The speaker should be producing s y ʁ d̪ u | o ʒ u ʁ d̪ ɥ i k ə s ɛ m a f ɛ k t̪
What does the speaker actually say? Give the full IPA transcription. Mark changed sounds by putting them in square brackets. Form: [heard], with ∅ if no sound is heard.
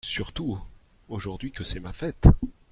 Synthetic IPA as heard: s y ʁ [t̪] u | o ʒ u ʁ d̪ ɥ i k ə s ɛ m a f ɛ [∅] t̪